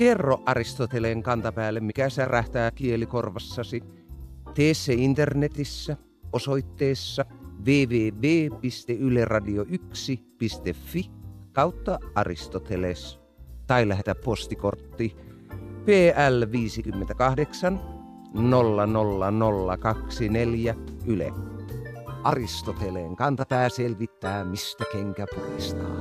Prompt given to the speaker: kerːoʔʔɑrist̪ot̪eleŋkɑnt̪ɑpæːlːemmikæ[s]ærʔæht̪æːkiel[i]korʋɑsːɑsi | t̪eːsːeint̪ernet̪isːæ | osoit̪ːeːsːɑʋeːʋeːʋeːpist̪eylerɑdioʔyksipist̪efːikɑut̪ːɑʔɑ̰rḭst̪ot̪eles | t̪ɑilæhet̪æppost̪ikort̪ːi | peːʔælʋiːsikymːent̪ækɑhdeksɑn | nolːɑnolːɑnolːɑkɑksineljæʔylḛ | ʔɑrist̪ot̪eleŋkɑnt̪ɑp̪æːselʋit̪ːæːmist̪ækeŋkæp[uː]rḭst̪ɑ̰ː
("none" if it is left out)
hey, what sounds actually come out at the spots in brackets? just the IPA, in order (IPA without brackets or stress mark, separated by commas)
s, i, u